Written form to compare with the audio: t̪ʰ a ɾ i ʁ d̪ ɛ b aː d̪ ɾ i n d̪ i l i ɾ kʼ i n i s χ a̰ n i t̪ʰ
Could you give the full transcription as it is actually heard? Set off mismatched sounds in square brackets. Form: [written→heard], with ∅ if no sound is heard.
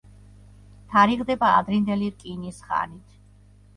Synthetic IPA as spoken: t̪ʰ a ɾ i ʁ d̪ ɛ b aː d̪ ɾ i n d̪ [i→ɛ] l i ɾ kʼ i n i s χ a̰ n i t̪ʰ